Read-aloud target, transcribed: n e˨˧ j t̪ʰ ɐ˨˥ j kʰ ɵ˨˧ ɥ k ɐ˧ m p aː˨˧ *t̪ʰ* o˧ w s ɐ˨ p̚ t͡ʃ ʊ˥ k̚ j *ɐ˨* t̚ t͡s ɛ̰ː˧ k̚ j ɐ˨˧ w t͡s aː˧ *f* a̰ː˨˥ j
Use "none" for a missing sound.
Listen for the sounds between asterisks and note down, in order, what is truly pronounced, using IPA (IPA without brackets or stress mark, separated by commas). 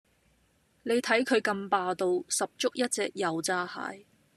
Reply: t̪, ɐ˥, h